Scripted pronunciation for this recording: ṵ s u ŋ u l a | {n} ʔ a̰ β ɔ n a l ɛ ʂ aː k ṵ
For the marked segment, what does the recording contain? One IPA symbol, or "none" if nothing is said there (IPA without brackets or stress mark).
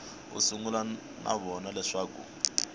n